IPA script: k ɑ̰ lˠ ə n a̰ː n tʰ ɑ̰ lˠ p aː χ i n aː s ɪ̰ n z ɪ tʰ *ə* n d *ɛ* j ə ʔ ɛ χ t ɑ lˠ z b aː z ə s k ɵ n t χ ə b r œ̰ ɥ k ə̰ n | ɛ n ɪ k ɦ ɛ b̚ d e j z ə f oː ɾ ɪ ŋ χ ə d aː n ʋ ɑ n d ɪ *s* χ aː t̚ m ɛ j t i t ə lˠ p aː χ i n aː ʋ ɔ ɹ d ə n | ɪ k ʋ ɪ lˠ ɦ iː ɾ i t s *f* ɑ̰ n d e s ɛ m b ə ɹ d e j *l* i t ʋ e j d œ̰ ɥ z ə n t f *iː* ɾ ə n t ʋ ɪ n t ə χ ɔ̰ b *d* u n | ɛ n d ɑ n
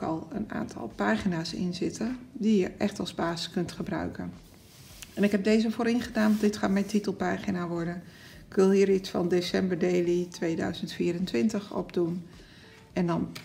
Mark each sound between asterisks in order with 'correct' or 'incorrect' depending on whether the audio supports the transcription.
correct, incorrect: i, incorrect: t, correct, correct, correct, correct

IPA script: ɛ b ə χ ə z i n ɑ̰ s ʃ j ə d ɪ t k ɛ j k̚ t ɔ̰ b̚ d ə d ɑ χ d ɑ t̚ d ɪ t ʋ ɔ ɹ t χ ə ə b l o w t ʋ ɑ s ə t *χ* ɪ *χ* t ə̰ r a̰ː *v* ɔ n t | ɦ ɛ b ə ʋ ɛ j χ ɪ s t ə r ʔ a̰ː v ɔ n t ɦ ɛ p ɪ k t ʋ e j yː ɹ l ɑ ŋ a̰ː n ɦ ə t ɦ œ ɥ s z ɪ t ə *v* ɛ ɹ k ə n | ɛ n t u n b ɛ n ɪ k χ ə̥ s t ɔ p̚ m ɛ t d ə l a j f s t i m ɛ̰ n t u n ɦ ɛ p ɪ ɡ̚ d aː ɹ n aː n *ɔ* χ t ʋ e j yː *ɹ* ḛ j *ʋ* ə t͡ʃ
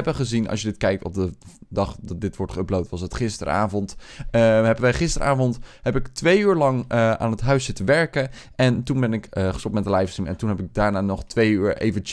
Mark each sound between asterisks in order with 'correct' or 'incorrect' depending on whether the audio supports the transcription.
correct, incorrect: s, correct, incorrect: ʋ, correct, correct, incorrect: v

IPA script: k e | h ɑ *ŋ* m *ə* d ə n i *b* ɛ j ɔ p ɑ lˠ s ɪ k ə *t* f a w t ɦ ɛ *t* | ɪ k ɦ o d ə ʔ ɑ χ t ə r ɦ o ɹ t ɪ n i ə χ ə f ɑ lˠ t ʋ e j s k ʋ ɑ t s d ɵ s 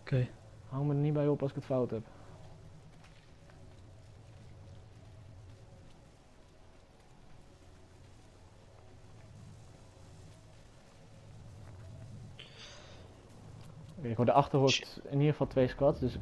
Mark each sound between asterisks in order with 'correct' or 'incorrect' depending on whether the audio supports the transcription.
correct, correct, correct, correct, incorrect: p

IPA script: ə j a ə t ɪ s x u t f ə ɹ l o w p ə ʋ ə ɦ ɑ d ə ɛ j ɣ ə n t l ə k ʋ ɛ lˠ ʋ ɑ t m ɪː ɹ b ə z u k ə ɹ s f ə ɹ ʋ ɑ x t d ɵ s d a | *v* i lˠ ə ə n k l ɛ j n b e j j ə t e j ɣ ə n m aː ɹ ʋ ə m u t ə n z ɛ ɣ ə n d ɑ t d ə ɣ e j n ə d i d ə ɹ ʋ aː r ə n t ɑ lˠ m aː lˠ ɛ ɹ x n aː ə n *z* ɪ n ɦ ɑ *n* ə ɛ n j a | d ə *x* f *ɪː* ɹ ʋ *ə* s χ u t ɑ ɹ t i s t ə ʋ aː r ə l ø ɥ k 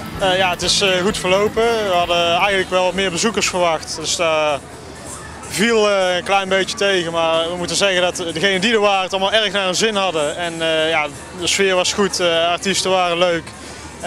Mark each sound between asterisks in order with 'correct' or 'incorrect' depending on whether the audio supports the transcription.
correct, correct, incorrect: d, incorrect: s, correct, incorrect: ɑ

